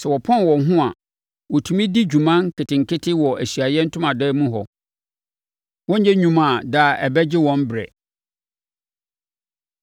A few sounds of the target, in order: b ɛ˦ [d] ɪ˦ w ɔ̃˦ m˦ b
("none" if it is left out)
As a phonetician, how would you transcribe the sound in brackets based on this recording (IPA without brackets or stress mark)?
d͡ʑ